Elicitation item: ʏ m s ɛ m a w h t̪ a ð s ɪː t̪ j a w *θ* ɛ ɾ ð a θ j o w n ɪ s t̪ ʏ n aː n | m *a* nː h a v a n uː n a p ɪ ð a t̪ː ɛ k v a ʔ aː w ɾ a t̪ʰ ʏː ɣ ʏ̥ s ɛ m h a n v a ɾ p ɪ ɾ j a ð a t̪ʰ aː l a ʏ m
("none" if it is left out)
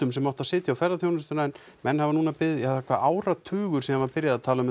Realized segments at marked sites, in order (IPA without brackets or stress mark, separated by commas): f, ɛ